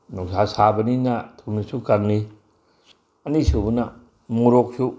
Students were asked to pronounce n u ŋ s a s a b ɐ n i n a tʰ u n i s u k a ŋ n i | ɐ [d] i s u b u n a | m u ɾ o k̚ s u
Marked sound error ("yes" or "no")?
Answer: yes